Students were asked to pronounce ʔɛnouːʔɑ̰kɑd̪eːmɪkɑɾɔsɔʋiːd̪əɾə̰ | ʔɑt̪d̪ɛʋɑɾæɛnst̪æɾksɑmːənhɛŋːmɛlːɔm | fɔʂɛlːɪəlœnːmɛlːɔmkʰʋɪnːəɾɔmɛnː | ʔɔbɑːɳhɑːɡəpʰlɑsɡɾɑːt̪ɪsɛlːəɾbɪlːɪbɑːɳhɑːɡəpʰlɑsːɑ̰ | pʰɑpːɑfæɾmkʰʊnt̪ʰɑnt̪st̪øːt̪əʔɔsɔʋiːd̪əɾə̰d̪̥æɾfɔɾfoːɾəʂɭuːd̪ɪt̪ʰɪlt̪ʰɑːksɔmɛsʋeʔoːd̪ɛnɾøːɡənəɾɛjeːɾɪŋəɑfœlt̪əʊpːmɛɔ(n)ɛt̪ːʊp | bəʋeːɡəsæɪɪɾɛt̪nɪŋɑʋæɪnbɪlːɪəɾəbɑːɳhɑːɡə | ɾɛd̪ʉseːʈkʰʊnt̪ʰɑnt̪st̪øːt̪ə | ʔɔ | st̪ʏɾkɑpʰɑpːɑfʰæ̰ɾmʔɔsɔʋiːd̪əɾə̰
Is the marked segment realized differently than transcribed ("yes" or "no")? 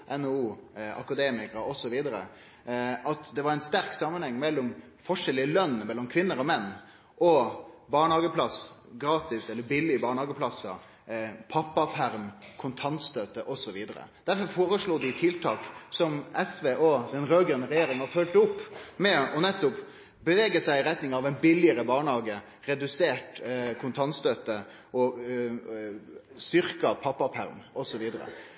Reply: no